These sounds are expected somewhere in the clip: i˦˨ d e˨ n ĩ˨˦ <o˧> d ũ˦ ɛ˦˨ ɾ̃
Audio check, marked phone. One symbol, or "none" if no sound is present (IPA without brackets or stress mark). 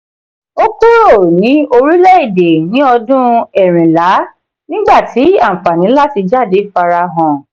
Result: ɔ˧